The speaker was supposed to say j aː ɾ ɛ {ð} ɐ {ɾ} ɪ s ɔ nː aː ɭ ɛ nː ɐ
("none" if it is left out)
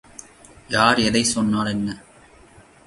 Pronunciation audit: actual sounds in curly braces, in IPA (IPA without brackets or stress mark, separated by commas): ð, none